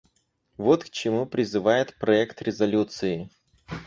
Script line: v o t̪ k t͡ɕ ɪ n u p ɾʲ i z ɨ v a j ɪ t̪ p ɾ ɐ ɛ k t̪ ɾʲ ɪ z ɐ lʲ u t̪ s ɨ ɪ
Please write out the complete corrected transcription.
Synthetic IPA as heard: v o t̪ k t͡ɕ ɪ m u p ɾʲ ɪ z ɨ v a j ɪ t̪ p ɾ ɐ ɛ k t̪ ɾʲ ɪ z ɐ lʲ u t̪ s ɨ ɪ